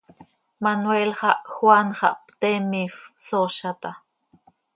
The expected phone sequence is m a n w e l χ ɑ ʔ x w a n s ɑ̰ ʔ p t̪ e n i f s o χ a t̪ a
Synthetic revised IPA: m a n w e l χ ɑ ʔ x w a n χ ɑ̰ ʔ p t̪ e m i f s o ʃ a t̪ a